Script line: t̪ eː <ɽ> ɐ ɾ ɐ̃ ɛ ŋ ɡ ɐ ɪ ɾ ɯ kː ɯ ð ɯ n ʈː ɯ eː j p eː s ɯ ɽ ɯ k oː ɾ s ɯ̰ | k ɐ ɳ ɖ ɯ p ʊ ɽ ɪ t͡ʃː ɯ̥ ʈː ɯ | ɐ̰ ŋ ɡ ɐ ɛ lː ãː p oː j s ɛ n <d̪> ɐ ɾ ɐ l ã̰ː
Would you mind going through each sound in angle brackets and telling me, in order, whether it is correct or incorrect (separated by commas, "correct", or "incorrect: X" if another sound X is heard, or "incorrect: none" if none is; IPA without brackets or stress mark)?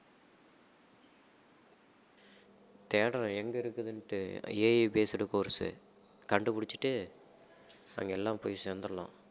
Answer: correct, correct